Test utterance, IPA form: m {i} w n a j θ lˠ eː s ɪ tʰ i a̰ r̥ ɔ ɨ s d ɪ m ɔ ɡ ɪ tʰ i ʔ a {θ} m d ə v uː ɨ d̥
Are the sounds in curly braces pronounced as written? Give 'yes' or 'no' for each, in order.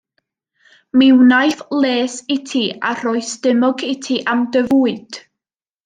no, no

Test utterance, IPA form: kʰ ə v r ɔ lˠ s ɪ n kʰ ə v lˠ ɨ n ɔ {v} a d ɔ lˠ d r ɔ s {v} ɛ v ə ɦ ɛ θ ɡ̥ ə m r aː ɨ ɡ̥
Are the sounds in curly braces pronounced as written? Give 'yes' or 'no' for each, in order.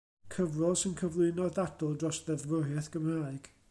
no, no

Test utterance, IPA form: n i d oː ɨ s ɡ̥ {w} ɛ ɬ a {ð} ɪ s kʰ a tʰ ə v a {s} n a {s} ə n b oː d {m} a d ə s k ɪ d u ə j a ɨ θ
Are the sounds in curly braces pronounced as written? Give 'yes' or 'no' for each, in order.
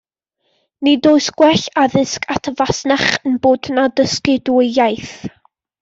yes, yes, yes, no, no

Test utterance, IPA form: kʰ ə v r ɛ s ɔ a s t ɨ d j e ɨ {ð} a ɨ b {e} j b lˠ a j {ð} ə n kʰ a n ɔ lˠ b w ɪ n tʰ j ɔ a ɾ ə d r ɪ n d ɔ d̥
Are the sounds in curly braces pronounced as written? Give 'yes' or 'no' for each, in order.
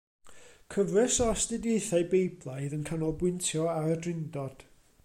no, yes, yes

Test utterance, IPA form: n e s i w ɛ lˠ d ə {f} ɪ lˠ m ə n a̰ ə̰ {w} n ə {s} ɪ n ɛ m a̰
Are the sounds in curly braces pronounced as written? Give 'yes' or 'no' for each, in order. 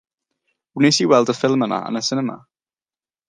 yes, no, yes

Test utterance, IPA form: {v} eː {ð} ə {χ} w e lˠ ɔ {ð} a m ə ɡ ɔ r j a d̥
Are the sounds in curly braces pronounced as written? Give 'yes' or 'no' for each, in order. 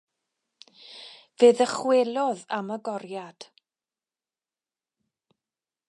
yes, yes, yes, yes

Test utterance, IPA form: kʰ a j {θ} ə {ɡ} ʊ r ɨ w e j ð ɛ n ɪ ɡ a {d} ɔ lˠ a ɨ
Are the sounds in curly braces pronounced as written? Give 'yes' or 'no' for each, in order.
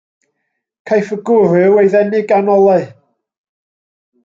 no, yes, no

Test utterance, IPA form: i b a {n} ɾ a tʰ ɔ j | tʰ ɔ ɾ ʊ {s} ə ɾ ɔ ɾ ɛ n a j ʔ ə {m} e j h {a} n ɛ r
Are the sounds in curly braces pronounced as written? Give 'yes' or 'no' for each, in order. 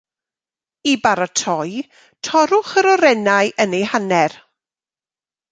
no, no, no, yes

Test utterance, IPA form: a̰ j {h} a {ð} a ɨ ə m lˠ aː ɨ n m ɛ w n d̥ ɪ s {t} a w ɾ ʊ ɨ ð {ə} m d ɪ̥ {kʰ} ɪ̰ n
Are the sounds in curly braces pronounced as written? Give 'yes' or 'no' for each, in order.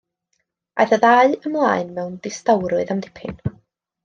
no, yes, yes, no, no

